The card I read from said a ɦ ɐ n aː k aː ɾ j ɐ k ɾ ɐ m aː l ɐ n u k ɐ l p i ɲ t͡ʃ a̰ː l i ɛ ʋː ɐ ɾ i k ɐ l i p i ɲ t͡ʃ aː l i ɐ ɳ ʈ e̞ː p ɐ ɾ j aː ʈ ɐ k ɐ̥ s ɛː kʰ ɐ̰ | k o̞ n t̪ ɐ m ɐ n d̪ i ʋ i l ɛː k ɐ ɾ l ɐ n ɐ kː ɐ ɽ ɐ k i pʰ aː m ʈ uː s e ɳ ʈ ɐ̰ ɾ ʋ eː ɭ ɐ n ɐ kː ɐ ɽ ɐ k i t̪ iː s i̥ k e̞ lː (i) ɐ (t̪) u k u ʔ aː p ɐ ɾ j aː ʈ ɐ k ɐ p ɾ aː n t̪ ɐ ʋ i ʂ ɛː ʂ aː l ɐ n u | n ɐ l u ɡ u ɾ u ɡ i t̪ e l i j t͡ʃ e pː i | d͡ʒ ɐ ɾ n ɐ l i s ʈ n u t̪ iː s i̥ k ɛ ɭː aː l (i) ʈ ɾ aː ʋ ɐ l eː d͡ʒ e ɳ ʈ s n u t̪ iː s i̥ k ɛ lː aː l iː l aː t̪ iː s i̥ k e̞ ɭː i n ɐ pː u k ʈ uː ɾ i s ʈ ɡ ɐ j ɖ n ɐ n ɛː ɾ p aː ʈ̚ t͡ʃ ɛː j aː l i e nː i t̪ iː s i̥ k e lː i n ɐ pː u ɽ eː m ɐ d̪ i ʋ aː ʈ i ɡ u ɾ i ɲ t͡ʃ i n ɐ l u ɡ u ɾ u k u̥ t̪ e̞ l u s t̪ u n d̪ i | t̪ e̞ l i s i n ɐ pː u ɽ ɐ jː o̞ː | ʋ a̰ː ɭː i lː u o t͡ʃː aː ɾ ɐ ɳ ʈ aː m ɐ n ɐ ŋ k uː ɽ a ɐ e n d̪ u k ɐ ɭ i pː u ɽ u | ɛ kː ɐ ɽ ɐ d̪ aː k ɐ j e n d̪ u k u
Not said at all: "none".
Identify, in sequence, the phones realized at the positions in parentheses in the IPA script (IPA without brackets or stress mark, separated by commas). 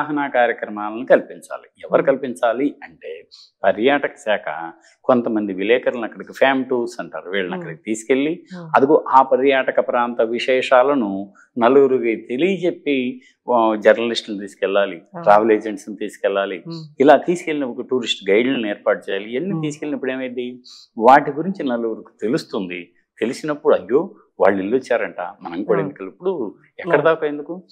i, d̪, i